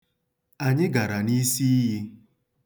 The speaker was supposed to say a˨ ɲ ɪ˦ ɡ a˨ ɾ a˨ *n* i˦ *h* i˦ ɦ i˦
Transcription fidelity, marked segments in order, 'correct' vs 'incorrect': correct, incorrect: s

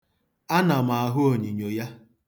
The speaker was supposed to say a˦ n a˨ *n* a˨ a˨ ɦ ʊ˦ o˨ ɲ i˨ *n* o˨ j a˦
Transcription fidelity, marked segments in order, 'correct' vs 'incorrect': incorrect: m, incorrect: ɲ

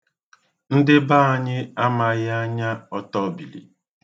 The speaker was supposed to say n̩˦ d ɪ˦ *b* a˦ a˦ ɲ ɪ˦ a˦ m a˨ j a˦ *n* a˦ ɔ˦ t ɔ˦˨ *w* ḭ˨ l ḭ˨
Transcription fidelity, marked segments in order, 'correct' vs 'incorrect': correct, incorrect: ɲ, incorrect: b

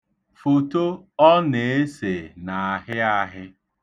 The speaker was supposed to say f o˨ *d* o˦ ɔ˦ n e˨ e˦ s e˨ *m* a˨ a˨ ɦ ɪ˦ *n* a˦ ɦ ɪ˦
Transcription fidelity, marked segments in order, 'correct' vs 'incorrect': incorrect: t, incorrect: n, incorrect: none

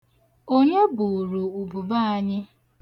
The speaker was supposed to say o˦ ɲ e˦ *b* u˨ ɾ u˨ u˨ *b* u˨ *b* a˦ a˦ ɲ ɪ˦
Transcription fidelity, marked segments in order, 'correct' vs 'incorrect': correct, correct, correct

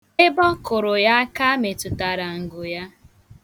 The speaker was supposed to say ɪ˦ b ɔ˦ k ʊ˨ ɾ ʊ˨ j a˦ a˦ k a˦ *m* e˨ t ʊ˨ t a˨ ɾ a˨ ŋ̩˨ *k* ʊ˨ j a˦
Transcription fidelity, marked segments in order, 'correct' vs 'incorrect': correct, incorrect: ɡ

